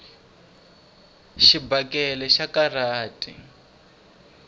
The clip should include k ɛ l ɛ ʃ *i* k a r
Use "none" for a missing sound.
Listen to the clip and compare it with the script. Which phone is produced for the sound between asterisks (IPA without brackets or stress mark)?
a